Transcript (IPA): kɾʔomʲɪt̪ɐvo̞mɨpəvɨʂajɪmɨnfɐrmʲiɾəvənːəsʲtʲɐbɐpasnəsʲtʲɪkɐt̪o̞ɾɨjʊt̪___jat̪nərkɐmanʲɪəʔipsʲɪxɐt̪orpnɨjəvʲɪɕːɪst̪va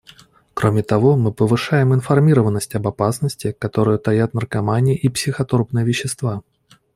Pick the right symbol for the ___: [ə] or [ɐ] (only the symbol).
ɐ